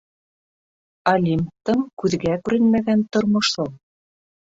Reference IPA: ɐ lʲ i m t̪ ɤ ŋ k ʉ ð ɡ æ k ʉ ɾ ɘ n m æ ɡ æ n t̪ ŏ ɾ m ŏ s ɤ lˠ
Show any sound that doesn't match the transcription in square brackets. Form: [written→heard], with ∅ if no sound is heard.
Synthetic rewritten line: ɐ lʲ i m t̪ ɤ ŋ k ʉ ð ɡ æ k ʉ ɾ ɘ n m æ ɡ æ n t̪ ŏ ɾ m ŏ [s→ʃ] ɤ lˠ